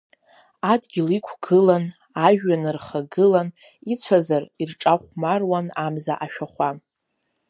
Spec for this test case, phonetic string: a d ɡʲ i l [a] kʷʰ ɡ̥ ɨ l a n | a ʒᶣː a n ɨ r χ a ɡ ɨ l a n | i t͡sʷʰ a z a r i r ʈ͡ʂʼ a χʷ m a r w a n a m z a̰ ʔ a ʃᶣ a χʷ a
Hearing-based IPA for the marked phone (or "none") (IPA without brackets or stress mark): i